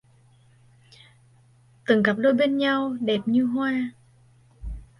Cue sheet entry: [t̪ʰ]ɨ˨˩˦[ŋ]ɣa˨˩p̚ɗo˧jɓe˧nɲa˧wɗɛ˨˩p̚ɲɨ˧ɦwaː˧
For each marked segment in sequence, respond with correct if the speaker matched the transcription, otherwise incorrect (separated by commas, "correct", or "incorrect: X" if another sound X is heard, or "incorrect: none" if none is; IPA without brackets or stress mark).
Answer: incorrect: t̪, correct